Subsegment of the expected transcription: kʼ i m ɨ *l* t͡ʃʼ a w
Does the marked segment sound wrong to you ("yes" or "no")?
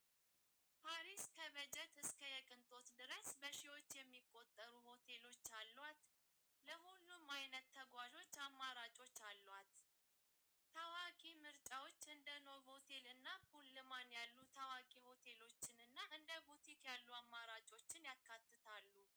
yes